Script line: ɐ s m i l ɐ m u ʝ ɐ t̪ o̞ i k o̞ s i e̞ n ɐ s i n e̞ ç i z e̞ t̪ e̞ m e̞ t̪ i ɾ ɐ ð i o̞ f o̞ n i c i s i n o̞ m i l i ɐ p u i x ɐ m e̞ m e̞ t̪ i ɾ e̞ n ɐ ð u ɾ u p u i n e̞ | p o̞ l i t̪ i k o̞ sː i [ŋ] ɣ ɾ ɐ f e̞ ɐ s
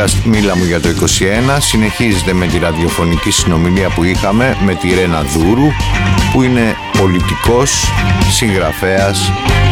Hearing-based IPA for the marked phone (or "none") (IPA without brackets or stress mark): ŋ